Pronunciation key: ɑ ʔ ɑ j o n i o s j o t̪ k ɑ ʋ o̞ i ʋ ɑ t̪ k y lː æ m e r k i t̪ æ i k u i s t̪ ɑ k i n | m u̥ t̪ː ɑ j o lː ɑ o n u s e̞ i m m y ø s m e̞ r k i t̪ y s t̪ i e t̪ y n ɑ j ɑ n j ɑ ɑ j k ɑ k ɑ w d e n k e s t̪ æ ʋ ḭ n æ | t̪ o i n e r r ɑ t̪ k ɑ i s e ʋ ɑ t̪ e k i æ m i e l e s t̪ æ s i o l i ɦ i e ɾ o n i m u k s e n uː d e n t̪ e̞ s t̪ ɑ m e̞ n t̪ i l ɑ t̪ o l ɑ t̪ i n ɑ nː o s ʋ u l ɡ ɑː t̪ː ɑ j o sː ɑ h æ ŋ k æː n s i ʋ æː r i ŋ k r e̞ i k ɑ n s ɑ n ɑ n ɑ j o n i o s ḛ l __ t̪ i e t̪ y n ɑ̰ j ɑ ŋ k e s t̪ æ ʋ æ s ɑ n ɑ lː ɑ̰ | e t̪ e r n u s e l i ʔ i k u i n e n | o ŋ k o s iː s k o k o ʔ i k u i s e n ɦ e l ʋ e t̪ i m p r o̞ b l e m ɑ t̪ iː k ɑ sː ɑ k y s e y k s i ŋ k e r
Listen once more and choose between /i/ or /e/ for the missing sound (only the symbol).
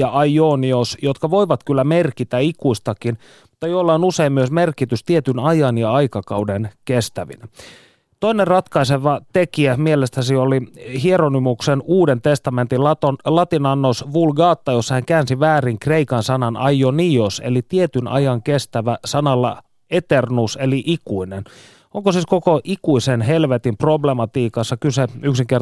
i